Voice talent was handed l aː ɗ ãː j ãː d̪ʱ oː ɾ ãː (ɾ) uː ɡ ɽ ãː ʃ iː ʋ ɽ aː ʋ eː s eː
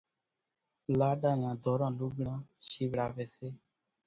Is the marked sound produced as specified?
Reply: no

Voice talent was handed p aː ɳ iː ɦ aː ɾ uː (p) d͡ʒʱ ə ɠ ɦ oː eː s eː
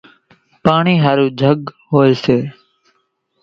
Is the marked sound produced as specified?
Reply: no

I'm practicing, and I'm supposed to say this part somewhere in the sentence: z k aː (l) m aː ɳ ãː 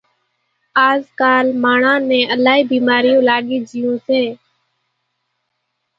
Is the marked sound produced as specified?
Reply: yes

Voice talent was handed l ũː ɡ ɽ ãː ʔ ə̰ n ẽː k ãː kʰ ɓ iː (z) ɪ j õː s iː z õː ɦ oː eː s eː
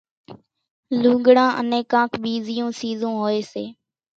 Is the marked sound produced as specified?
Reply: yes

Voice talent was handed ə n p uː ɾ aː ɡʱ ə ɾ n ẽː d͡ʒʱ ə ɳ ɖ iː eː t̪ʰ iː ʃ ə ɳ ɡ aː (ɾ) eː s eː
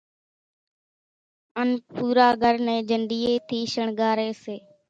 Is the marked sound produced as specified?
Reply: yes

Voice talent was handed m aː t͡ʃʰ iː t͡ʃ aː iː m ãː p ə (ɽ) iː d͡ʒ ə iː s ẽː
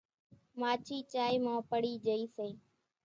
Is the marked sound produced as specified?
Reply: yes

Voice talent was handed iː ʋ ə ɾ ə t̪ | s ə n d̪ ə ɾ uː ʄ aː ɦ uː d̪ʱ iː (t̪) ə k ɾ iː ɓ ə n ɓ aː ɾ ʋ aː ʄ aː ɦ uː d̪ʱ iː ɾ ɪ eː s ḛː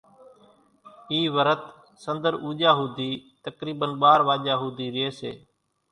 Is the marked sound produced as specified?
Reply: yes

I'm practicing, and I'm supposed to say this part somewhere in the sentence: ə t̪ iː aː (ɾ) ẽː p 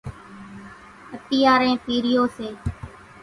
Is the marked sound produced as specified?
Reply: yes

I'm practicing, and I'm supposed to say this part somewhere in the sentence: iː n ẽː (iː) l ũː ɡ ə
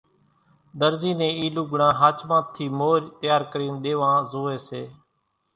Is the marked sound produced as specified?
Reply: yes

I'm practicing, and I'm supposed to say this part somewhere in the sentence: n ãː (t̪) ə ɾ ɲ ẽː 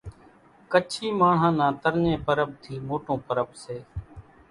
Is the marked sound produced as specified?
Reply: yes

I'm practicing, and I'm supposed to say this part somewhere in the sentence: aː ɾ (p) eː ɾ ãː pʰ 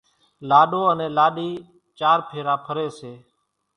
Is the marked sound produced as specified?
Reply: no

